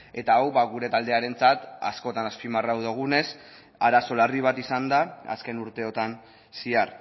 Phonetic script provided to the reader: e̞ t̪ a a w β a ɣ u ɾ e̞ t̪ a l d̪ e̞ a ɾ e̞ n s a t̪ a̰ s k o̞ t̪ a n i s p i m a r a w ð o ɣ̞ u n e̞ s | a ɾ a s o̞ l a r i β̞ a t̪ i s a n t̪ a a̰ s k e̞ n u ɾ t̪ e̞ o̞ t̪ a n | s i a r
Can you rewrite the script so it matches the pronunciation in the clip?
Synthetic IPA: e̞ t̪ a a w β a ɣ u ɾ e̞ t̪ a l d̪ e̞ a ɾ e̞ n t͡s a t̪ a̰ s k o̞ t̪ a n a s p i m a r a w ð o ɣ̞ u n e̞ s | a ɾ a s o̞ l a r i β̞ a t̪ i s a n d̪ a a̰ s k e̞ n u ɾ t̪ e̞ o̞ t̪ a n | s i a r